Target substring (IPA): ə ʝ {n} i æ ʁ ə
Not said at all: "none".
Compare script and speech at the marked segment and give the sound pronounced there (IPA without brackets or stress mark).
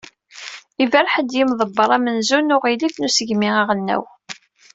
m